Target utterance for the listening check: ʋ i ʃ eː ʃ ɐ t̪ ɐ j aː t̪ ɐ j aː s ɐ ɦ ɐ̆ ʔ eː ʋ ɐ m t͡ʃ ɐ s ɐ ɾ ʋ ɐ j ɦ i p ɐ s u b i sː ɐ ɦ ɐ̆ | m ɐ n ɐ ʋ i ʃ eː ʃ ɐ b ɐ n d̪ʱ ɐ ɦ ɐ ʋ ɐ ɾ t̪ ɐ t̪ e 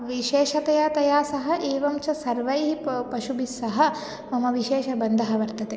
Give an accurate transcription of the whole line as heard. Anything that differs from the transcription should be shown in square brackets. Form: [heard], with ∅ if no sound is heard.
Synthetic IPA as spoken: ʋ i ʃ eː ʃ ɐ t̪ ɐ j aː t̪ ɐ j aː s ɐ ɦ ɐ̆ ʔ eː ʋ ɐ m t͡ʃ ɐ s ɐ ɾ ʋ ɐ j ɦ i p ɐ [ʃ] u b i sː ɐ ɦ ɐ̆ | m ɐ [m] ɐ ʋ i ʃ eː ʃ ɐ b ɐ n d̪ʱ ɐ ɦ ɐ ʋ ɐ ɾ t̪ ɐ t̪ e

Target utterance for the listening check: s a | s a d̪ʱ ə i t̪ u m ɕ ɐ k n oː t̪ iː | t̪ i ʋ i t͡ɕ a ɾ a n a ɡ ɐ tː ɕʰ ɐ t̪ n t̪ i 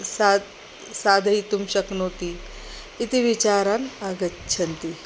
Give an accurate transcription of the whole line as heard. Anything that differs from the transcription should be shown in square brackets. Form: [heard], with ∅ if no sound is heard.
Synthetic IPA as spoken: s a | s a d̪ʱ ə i t̪ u m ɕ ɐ k n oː t̪ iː | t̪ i ʋ i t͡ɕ a ɾ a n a ɡ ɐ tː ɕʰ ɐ [∅] n t̪ i

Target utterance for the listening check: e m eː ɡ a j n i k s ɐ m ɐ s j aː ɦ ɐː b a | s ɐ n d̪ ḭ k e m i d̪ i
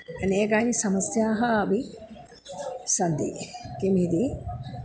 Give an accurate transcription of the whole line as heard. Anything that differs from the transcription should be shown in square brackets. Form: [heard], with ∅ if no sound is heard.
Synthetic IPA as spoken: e [n] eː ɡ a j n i [∅] s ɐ m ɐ s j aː ɦ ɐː b [i] | s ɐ n d̪ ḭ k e m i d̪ i

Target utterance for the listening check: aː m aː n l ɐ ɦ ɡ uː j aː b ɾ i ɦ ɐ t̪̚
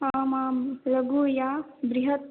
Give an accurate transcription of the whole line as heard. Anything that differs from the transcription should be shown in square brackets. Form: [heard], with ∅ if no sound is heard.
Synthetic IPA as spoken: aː m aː [m] l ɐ [∅] ɡ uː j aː b ɾ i ɦ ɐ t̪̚

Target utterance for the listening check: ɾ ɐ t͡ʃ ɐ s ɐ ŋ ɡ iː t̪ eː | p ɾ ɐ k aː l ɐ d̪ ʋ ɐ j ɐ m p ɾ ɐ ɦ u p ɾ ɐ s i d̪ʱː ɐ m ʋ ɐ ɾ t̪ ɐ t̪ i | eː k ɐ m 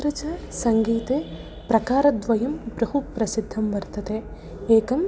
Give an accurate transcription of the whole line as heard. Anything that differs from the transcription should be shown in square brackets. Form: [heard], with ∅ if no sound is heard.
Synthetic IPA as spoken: ɾ ɐ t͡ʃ ɐ s ɐ ŋ ɡ iː t̪ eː | p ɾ ɐ k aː [ɾ] ɐ d̪ ʋ ɐ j ɐ m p ɾ ɐ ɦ u p ɾ ɐ s i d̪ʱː ɐ m ʋ ɐ ɾ t̪ ɐ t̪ [e] | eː k ɐ m

